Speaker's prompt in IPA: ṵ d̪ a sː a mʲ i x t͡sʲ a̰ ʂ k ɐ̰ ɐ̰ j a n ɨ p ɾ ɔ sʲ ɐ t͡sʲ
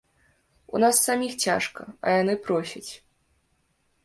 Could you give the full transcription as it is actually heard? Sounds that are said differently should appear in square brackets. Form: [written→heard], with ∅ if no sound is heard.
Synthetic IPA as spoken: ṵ [d̪→n̪] a sː a mʲ i x t͡sʲ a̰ ʂ k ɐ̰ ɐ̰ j a n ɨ p ɾ ɔ sʲ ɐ t͡sʲ